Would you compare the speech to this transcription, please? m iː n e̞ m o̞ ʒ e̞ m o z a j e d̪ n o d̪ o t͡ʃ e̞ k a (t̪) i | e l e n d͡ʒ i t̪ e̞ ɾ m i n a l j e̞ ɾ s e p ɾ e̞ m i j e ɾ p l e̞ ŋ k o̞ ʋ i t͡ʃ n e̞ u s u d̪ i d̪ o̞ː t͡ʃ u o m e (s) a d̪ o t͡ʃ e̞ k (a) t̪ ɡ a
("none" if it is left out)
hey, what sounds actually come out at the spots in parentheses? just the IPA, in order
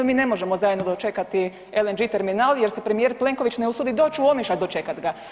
t̪, ʃ, a

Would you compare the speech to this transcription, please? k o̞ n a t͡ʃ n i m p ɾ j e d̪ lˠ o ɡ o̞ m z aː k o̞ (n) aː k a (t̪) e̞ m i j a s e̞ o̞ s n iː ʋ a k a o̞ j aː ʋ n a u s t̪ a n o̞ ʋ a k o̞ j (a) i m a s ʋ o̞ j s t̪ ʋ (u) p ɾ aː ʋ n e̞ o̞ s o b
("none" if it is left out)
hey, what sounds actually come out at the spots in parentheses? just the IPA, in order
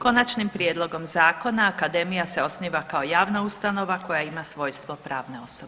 n, d̪, a, o

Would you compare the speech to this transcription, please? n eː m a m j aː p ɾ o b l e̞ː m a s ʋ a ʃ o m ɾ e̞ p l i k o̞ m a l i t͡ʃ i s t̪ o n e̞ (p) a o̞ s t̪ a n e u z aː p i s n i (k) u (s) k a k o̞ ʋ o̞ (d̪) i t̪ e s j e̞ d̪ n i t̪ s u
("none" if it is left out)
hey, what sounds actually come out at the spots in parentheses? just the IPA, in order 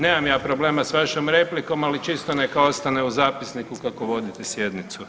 k, k, none, d̪

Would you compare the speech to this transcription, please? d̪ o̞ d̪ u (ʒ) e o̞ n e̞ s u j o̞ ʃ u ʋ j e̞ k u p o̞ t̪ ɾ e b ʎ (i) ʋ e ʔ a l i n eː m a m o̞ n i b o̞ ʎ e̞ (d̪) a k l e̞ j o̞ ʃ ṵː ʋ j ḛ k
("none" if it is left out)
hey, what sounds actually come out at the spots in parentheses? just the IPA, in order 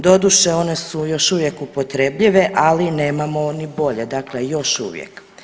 ʃ, i, d̪

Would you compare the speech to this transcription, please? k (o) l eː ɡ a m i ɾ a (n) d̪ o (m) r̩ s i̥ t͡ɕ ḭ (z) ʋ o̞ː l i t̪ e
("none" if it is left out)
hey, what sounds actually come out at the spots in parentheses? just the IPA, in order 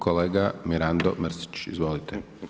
o, n, m, z

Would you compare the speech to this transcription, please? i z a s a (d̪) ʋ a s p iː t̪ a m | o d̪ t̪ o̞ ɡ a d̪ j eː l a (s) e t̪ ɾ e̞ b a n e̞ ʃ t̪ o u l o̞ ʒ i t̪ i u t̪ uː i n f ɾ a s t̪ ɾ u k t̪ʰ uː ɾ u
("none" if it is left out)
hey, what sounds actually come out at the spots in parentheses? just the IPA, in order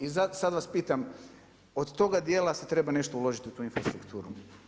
d̪, s

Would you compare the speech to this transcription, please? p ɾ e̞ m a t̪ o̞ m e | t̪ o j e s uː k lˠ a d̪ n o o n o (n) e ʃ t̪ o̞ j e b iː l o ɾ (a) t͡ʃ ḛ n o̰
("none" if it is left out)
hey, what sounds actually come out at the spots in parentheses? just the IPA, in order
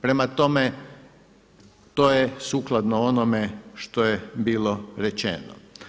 m, e

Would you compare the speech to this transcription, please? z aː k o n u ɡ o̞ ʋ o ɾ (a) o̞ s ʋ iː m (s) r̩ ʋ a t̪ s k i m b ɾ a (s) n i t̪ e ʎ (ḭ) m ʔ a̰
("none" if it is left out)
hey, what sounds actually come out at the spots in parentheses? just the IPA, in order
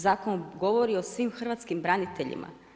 i, x, none, ḭ

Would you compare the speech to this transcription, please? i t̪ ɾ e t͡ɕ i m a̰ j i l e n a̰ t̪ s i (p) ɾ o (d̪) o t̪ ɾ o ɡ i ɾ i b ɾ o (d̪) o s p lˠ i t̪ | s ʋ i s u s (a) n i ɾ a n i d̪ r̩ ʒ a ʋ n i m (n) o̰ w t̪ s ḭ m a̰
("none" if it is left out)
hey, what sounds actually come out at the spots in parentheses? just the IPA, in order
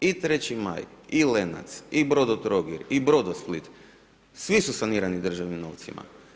b, d̪, d̪, a, n

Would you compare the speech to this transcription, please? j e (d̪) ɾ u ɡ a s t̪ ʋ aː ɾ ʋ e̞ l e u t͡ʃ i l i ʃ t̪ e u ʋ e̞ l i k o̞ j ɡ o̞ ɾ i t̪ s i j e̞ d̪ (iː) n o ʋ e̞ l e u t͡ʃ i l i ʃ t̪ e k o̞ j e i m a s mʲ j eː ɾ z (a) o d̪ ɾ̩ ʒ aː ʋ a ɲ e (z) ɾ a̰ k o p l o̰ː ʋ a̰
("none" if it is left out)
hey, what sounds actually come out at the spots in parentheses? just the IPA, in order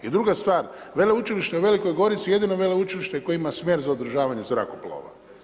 d̪, i, a, z

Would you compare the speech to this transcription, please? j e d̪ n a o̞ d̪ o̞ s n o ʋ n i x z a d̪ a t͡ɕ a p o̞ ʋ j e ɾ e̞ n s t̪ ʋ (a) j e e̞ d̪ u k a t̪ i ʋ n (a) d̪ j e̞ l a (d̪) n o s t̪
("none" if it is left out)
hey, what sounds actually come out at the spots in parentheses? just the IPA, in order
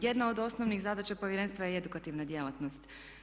a, a, t̪

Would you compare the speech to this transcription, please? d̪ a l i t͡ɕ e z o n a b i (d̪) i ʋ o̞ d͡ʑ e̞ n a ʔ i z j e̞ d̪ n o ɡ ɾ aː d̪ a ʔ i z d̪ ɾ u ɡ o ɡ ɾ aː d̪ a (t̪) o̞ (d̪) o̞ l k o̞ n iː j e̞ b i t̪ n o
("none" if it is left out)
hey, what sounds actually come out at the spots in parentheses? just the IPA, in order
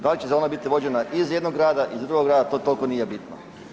t̪, t̪, t̪

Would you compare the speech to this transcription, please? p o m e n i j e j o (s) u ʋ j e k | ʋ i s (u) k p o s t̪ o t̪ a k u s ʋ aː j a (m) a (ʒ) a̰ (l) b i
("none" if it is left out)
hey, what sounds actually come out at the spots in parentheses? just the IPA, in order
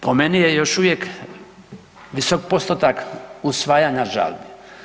ʃ, o, ɲ, ʒ, l

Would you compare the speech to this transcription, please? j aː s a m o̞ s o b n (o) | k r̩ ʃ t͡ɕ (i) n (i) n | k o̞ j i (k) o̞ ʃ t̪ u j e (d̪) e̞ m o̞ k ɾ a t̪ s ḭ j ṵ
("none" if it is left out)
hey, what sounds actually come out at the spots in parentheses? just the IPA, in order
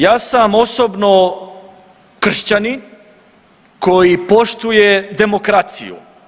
o, a, i, p, d̪

